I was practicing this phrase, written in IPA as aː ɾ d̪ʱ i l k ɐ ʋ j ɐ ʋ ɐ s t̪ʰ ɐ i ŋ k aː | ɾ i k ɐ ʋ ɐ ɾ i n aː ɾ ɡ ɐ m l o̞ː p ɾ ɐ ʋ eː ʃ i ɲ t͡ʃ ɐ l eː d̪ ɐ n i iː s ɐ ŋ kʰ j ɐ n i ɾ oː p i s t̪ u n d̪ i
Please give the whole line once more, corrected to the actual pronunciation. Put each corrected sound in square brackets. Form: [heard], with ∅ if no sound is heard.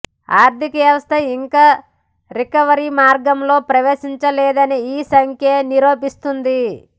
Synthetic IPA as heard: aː ɾ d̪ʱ i [∅] k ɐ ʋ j ɐ ʋ ɐ s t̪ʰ ɐ i ŋ k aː | ɾ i k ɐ ʋ ɐ ɾ i [m] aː ɾ ɡ ɐ m l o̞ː p ɾ ɐ ʋ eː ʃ i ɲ t͡ʃ ɐ l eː d̪ ɐ n i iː s ɐ ŋ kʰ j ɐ n i ɾ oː p i s t̪ u n d̪ i

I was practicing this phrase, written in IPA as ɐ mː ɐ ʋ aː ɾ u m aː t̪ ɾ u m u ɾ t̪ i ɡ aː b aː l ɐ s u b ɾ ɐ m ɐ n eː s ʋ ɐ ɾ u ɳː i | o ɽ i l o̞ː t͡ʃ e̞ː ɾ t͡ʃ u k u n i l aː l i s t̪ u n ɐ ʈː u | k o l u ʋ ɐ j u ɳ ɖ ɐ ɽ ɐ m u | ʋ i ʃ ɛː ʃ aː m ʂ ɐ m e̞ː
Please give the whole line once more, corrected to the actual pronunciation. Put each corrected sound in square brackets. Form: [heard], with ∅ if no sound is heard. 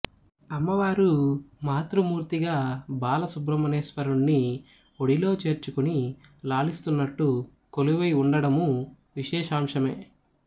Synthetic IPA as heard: ɐ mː ɐ ʋ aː ɾ u m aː t̪ ɾ u m [uː] ɾ t̪ i ɡ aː b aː l ɐ s u b ɾ ɐ m ɐ n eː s ʋ ɐ ɾ u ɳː i | o ɽ i l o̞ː t͡ʃ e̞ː ɾ t͡ʃ u k u n i l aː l i s t̪ u [nː] ɐ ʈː u | k o l u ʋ ɐ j u ɳ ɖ ɐ ɽ ɐ m u | ʋ i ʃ ɛː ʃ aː m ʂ ɐ m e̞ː

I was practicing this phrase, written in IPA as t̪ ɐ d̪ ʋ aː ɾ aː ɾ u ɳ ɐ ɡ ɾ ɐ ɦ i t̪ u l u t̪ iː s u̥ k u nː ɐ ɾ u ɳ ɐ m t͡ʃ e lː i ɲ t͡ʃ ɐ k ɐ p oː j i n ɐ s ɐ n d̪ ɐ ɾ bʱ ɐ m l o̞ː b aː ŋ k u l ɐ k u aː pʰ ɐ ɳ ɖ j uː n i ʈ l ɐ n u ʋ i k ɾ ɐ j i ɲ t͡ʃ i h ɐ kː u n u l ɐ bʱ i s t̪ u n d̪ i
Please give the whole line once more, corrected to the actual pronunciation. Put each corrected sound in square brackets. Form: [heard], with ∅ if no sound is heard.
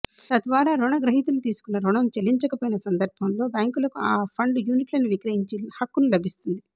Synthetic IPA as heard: t̪ ɐ d̪ ʋ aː ɾ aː ɾ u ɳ ɐ ɡ ɾ ɐ ɦ i t̪ u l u t̪ iː s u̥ k u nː ɐ ɾ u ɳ ɐ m t͡ʃ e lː i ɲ t͡ʃ ɐ k ɐ p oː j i n ɐ s ɐ n d̪ ɐ ɾ bʱ ɐ m l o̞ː b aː ŋ k u l ɐ k u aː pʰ ɐ ɳ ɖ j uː n i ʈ l ɐ n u ʋ i k ɾ ɐ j i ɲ t͡ʃ i h ɐ kː u n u l ɐ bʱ i s t̪ u n d̪ i

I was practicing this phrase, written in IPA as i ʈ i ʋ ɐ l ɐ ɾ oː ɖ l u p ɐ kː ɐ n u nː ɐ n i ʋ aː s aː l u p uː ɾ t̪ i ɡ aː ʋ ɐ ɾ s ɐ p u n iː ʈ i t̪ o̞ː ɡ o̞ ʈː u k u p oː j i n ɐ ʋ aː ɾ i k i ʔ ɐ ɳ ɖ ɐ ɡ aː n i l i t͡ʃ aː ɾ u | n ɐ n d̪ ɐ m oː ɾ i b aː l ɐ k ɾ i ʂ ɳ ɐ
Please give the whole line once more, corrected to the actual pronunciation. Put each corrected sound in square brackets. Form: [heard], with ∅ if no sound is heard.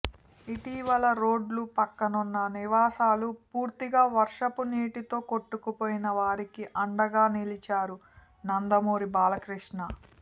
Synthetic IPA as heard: i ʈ i ʋ ɐ l ɐ ɾ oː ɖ l u p ɐ kː ɐ n u nː ɐ n i ʋ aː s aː l u p uː ɾ t̪ i ɡ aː ʋ ɐ ɾ [ʂ] ɐ p u n iː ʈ i t̪ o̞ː [k] o̞ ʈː u k u p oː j i n ɐ ʋ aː ɾ i k i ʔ ɐ ɳ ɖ ɐ ɡ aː n i l i t͡ʃ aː ɾ u | n ɐ n d̪ ɐ m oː ɾ i b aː l ɐ k ɾ i ʂ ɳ ɐ

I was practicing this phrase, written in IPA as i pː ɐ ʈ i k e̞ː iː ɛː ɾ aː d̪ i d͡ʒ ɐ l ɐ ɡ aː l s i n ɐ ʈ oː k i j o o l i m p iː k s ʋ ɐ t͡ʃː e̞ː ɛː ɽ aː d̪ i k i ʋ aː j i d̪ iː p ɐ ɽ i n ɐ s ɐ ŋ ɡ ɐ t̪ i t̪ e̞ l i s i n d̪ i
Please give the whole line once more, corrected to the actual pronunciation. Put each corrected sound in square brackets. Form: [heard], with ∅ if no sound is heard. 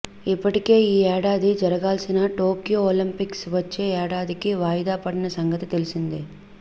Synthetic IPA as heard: i pː ɐ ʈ i k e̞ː iː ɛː [ɽ] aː d̪ i d͡ʒ ɐ [ɾ] ɐ ɡ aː l s i n ɐ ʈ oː k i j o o l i m p [i] k s ʋ ɐ t͡ʃː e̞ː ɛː ɽ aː d̪ i k i ʋ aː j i d̪ [aː] p ɐ ɽ i n ɐ s ɐ ŋ ɡ ɐ t̪ i t̪ e̞ l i s i n d̪ i

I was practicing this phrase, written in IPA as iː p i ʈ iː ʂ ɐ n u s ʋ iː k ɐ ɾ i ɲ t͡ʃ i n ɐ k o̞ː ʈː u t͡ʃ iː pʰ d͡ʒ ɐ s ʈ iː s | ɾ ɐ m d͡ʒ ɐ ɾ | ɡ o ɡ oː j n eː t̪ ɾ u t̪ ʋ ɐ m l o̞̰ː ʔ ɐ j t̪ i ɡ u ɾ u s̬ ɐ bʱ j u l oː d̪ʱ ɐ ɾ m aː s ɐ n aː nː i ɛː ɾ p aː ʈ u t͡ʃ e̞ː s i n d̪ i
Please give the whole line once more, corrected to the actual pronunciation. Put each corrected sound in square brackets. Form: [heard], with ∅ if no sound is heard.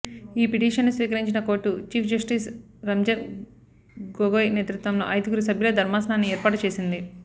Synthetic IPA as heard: iː p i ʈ iː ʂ ɐ [nː] u s ʋ iː k ɐ ɾ i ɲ t͡ʃ i n ɐ k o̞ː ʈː u t͡ʃ iː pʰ d͡ʒ ɐ s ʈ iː s | ɾ ɐ m d͡ʒ ɐ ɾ | ɡ o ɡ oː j n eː t̪ ɾ u t̪ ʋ ɐ m l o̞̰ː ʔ ɐ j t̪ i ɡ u ɾ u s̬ ɐ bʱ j u l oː d̪ʱ ɐ ɾ m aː s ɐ n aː nː i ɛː ɾ p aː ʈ u t͡ʃ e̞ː s i n d̪ i

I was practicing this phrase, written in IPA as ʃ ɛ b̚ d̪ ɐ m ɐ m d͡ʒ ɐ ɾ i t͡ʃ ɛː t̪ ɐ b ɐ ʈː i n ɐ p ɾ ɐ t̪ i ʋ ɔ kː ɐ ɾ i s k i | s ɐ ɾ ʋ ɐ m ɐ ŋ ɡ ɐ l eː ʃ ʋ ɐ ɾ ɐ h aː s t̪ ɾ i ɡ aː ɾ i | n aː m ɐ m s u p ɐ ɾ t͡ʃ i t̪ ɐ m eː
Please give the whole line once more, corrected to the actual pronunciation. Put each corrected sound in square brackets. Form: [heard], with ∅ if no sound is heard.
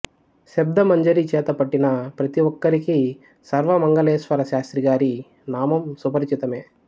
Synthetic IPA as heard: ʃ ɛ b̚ d̪ ɐ m ɐ [ɲ] d͡ʒ ɐ ɾ i t͡ʃ ɛː t̪ ɐ [p] ɐ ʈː i n ɐ p ɾ ɐ t̪ i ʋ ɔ kː ɐ ɾ i [∅] k i | s ɐ ɾ ʋ ɐ m ɐ ŋ ɡ ɐ l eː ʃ ʋ ɐ ɾ ɐ [ʃ] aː s t̪ ɾ i ɡ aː ɾ i | n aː m ɐ m s u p ɐ ɾ t͡ʃ i t̪ ɐ m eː

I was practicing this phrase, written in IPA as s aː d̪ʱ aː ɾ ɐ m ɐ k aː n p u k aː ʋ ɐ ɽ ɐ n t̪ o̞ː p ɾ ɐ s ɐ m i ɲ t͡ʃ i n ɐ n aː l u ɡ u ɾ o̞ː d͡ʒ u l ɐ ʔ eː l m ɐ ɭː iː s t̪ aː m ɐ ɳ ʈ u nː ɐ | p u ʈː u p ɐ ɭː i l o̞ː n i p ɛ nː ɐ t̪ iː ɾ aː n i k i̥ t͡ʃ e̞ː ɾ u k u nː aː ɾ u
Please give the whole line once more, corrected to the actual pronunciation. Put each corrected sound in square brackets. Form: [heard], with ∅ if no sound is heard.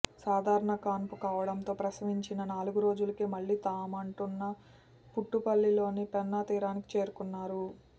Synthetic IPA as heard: s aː d̪ʱ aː ɾ ɐ [ɳ] ɐ k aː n p u k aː ʋ ɐ ɽ ɐ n t̪ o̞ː p ɾ ɐ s ɐ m i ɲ t͡ʃ i n ɐ n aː l u ɡ u ɾ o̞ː d͡ʒ u l ɐ [k] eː [∅] m ɐ ɭː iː [∅] t̪ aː m ɐ ɳ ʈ u nː ɐ | p u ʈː u p ɐ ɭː i l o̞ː n i p ɛ nː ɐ t̪ iː ɾ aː n i k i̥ t͡ʃ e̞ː ɾ u k u nː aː ɾ u

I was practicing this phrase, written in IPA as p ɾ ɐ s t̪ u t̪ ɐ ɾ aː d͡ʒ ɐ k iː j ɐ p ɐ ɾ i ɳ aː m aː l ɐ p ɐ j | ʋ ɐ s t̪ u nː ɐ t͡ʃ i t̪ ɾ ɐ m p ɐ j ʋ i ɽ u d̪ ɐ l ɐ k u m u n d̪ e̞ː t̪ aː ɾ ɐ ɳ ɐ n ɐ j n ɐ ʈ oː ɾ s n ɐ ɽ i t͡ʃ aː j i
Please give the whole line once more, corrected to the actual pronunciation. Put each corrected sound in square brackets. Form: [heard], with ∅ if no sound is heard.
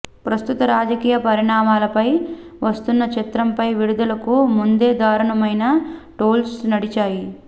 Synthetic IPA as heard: p ɾ ɐ s t̪ u t̪ ɐ ɾ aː d͡ʒ ɐ k iː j ɐ p ɐ ɾ i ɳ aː m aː l ɐ p ɐ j | ʋ ɐ s t̪ u nː ɐ t͡ʃ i t̪ ɾ ɐ m p ɐ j ʋ i ɽ u d̪ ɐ l ɐ k u m u n d̪ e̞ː [d̪] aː ɾ ɐ ɳ ɐ [m] ɐ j n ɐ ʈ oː [l] s n ɐ ɽ i t͡ʃ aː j i

